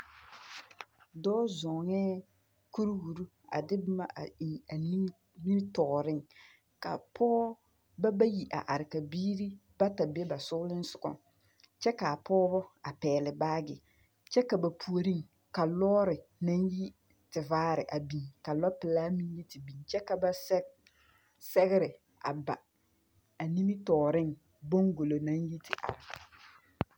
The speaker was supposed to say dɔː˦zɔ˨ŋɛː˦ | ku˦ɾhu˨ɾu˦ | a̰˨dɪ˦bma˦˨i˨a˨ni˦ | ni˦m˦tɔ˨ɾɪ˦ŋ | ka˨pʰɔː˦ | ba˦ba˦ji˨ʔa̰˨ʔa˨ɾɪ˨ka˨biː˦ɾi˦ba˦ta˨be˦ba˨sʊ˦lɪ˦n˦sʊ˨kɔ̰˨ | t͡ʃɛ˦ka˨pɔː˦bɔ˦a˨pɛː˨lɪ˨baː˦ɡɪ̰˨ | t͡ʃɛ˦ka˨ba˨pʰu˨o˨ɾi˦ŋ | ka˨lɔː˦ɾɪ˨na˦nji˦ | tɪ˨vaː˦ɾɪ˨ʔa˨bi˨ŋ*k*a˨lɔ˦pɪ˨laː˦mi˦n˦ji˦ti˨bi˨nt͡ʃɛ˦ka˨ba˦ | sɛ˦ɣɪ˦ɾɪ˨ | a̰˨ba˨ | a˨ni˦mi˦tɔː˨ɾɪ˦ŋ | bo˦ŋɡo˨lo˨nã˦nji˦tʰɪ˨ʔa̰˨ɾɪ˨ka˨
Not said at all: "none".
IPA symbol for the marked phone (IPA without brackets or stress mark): k